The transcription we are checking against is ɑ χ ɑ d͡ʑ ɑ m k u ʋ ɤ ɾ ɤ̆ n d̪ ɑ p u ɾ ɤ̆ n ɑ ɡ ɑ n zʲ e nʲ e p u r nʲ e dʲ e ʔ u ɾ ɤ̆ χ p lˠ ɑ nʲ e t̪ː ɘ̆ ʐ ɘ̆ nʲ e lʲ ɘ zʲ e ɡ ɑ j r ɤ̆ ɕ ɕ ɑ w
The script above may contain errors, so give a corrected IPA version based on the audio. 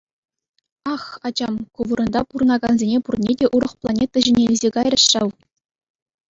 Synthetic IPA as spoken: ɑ χ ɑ d͡ʑ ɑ m k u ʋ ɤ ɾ ɤ̆ n d̪ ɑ p u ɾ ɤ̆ n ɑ ɡ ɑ n zʲ e nʲ e p u r nʲ e dʲ e ʔ u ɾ ɤ̆ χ p lˠ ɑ nʲ e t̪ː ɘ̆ ʑ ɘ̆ nʲ e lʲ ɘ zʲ e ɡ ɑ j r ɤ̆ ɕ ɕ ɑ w